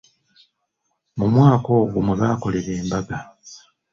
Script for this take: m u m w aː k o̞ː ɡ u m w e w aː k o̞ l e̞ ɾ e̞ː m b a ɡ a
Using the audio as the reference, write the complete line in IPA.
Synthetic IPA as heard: m u m w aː k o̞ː ɡ u m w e β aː k o̞ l e̞ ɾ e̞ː m b a ɡ a